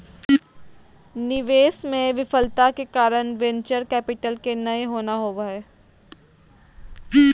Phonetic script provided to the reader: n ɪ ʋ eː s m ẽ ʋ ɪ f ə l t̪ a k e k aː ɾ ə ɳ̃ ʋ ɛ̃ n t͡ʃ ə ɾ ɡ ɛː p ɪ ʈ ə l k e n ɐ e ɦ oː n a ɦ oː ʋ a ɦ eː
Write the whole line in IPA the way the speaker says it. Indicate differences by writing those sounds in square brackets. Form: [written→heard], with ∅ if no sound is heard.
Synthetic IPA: n ɪ ʋ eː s m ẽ ʋ ɪ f ə l t̪ a k e k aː ɾ ə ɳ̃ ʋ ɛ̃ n t͡ʃ ə ɾ [ɡ→k] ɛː p ɪ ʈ ə l k e n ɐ e ɦ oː n a ɦ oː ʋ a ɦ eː

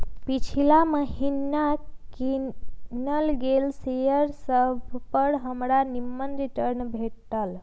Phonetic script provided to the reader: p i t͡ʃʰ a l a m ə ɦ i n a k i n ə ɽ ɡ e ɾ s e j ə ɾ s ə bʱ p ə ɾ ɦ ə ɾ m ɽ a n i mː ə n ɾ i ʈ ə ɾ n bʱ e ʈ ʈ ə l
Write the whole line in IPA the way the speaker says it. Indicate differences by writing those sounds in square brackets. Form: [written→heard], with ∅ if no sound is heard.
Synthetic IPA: p i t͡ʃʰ [a→i] l a m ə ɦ i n a k i n ə [ɽ→l] ɡ e [ɾ→l] s e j ə ɾ s ə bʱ p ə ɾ ɦ ə [ɾ→∅] m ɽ a n i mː ə n ɾ i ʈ ə ɾ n bʱ e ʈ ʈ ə l

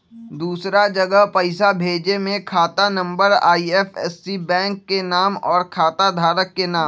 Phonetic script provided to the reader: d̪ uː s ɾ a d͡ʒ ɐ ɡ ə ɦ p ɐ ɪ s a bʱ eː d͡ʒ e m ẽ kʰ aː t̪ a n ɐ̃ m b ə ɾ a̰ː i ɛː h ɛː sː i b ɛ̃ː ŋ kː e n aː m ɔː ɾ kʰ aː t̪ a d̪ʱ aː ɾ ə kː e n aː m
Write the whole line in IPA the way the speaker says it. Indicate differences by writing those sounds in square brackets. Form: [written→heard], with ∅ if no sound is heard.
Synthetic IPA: d̪ uː s ɾ a d͡ʒ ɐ ɡ ə ɦ p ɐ ɪ s a bʱ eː d͡ʒ e m ẽ kʰ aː t̪ a n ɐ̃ m b ə ɾ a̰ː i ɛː [h→f] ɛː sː i b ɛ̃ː ŋ kː e n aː m ɔː ɾ kʰ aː t̪ a d̪ʱ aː ɾ ə kː e n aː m

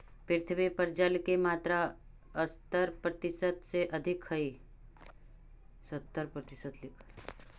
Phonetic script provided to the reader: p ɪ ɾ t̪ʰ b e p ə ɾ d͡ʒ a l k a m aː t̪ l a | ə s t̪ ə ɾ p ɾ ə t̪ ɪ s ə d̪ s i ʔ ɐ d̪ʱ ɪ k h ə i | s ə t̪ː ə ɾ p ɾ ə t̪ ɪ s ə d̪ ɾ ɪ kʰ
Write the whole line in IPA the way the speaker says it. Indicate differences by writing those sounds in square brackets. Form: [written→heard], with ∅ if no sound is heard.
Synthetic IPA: p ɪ ɾ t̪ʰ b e p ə ɾ d͡ʒ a l k [a→e] m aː t̪ [l→ɾ] a | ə s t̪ ə ɾ p ɾ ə t̪ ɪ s ə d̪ s [i→e] ʔ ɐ d̪ʱ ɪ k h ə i | s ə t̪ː ə ɾ p ɾ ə t̪ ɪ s ə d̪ [ɾ→l] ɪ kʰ

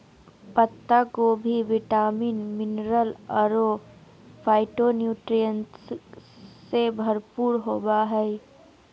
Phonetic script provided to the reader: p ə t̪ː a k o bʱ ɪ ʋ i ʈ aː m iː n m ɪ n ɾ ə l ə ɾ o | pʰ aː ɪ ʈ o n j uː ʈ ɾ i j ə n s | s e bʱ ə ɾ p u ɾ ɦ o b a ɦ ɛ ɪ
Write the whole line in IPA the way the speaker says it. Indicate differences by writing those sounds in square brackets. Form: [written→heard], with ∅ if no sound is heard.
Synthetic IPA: p ə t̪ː a k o bʱ [ɪ→i] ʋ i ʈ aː m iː n m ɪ n ɾ ə l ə ɾ o | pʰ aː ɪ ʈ o n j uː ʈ ɾ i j ə n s | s e bʱ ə ɾ p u ɾ ɦ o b a ɦ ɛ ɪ

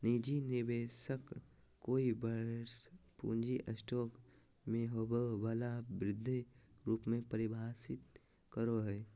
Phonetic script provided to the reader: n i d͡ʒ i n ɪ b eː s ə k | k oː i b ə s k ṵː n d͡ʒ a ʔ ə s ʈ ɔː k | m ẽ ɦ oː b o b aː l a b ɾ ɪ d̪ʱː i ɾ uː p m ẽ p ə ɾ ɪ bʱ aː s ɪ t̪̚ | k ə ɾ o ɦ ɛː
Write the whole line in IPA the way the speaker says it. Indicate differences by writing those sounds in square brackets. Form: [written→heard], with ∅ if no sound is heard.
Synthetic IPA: n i d͡ʒ i n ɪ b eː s ə k | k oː i b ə s [k→p] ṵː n d͡ʒ [a→i] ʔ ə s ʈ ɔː k | m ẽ ɦ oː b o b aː l a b ɾ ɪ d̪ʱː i ɾ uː p m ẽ p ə ɾ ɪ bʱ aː s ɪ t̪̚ | k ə ɾ o ɦ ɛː

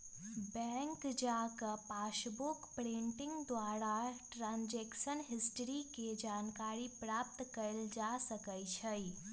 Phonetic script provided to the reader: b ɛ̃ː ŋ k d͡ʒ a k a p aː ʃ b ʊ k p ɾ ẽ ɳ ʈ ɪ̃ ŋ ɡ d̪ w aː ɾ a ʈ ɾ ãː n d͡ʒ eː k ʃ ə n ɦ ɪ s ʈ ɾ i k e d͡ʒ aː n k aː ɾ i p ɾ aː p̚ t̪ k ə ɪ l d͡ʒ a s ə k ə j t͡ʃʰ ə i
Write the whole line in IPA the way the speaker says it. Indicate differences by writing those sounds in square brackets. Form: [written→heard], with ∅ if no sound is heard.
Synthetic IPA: b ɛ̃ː ŋ k d͡ʒ a k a p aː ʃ b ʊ k p ɾ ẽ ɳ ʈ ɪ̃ ŋ ɡ d̪ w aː ɾ a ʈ ɾ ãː n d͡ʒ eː k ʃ ə n ɦ ɪ s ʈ ɾ i k e d͡ʒ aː n k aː ɾ i p ɾ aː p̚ t̪ k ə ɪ l d͡ʒ a s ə k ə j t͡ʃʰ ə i

